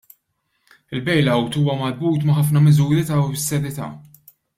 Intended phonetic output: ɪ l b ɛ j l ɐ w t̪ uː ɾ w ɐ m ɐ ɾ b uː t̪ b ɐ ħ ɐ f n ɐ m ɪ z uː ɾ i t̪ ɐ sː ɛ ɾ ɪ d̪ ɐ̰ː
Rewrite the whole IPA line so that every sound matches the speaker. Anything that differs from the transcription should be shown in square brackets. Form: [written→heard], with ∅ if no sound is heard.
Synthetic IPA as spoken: ɪ l b ɛ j l ɐ w t̪ uː [ɾ→∅] w ɐ m ɐ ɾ b uː t̪ [b→m] ɐ ħ ɐ f n ɐ m ɪ z uː ɾ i t̪ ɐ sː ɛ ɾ ɪ [d̪→t̪] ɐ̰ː

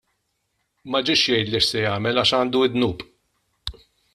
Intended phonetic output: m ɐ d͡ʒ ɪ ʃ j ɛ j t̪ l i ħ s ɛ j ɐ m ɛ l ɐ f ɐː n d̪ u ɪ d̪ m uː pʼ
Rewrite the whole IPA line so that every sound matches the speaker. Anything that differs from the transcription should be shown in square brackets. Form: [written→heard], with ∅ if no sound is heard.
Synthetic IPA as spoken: m ɐ d͡ʒ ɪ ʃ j ɛ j t̪ l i [ħ→ʃ] s ɛ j [ɐ→ɐː] m ɛ l ɐ [f→ʃ] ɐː n d̪ u ɪ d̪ [m→n] uː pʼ

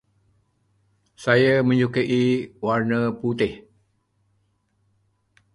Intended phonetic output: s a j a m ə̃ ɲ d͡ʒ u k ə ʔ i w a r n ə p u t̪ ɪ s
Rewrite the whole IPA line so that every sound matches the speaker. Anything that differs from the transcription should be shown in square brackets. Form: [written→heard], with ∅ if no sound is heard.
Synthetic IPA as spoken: s a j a m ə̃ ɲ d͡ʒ u k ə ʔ i w a r n ə p u t̪ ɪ [s→h]

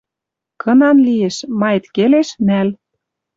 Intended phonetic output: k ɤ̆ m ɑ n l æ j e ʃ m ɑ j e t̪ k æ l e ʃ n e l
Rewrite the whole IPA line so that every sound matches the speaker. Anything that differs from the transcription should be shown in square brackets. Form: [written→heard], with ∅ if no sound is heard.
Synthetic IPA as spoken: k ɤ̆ [m→n] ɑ n l [æ→i] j e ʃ m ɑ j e t̪ k [æ→e] l e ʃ n [e→æ] l

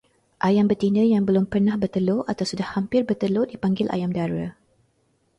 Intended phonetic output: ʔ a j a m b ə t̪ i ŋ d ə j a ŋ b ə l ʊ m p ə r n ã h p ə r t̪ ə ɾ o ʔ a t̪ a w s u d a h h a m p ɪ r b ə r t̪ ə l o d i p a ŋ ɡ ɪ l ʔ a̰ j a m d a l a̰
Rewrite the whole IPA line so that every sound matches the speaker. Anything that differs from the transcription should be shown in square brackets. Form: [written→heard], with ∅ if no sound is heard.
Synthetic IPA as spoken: ʔ a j a m b ə t̪ i [ŋ→n] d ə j a ŋ b ə l ʊ m p ə r n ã h [p→b] ə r t̪ ə [ɾ→l] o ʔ a t̪ a w s u d a h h a m p ɪ r b ə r t̪ ə l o d i p a ŋ ɡ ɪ l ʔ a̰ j a m d a [l→ɾ] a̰

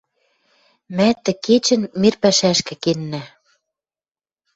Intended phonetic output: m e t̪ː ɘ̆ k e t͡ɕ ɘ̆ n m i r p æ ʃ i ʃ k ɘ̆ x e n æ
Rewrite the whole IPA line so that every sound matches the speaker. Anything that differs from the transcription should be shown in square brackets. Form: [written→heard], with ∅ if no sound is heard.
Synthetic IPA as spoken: m [e→æ] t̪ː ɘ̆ k e t͡ɕ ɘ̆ n m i r p æ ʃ [i→æ] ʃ k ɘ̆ [x→k] e [n→nː] æ

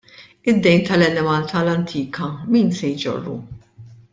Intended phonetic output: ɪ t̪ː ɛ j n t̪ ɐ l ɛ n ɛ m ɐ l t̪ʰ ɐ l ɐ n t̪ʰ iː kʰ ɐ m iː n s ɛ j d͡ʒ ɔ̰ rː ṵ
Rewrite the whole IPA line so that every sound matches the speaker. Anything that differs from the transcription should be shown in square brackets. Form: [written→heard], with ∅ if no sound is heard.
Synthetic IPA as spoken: ɪ [t̪ː→d̪ː] ɛ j n t̪ ɐ l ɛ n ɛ m ɐ l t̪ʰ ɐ l ɐ n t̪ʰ iː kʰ ɐ m iː n s ɛ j d͡ʒ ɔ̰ rː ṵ

